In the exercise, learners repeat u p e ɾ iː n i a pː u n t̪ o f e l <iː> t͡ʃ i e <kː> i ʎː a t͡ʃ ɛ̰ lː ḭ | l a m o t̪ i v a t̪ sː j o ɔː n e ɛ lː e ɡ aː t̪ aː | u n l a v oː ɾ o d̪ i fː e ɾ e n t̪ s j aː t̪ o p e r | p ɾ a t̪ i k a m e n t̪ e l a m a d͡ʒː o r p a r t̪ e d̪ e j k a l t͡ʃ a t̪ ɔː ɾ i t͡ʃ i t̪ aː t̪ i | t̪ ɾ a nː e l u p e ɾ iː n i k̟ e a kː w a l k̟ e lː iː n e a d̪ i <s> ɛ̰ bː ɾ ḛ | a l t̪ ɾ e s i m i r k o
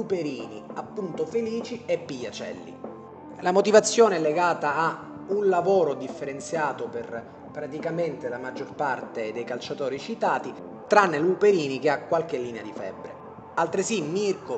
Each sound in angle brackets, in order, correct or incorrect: correct, incorrect: pː, incorrect: f

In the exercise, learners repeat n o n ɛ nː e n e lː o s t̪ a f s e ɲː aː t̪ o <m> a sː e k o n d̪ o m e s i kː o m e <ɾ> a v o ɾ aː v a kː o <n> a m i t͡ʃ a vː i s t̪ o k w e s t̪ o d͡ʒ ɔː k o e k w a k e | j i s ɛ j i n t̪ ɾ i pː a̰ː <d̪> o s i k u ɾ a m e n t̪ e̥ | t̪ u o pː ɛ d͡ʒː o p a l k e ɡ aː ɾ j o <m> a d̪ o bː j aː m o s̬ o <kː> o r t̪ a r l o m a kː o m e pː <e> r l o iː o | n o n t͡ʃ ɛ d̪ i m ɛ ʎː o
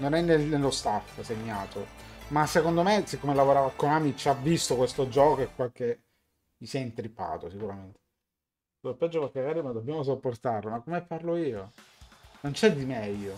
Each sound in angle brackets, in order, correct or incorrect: correct, incorrect: l, correct, incorrect: t̪, correct, incorrect: pː, incorrect: a

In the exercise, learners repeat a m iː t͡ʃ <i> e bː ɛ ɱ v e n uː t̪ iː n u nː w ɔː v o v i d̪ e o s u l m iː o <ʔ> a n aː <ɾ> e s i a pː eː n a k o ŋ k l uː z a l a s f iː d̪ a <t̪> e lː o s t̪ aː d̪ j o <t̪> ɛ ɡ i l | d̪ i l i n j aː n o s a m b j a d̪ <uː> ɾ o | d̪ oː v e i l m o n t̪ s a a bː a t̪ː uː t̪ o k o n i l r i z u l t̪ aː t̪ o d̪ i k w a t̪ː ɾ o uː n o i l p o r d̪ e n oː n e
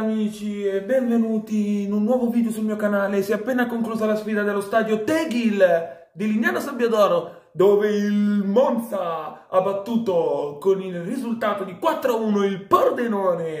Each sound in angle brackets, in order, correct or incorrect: correct, incorrect: k, incorrect: l, incorrect: d̪, correct, incorrect: ɔː

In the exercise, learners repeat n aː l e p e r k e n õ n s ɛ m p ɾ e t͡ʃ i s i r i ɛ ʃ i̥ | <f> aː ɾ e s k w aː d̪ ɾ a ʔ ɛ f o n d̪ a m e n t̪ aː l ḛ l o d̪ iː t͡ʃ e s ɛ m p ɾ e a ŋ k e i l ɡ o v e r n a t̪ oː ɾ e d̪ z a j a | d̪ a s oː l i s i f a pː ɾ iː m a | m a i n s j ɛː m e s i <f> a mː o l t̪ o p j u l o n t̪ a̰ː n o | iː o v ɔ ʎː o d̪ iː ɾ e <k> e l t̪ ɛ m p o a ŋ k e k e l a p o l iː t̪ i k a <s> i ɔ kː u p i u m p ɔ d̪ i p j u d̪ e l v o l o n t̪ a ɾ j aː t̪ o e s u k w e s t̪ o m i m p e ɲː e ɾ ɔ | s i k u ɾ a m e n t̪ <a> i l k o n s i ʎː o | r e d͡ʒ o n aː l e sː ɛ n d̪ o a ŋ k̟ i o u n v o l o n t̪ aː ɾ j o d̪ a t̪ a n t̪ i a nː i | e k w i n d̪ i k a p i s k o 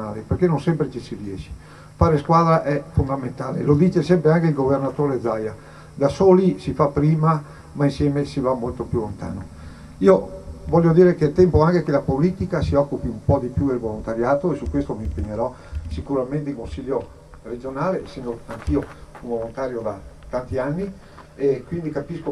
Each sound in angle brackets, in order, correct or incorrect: correct, incorrect: v, correct, correct, incorrect: e

